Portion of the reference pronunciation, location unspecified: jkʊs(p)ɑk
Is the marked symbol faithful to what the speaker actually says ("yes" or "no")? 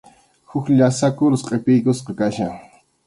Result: no